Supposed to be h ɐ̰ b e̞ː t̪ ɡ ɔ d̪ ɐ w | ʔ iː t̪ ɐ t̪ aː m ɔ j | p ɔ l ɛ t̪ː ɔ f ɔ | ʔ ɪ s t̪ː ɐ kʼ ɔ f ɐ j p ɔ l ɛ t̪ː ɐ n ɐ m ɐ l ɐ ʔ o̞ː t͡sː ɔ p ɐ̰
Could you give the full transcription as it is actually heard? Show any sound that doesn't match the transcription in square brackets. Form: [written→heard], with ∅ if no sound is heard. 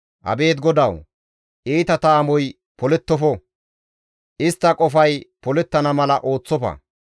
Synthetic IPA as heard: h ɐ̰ b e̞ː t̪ ɡ ɔ d̪ ɐ w | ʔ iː t̪ ɐ t̪ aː m ɔ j | p ɔ l ɛ t̪ː ɔ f ɔ | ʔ ɪ s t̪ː ɐ kʼ ɔ f ɐ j p ɔ l ɛ t̪ː ɐ n ɐ m ɐ l ɐ ʔ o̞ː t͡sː ɔ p ɐ̰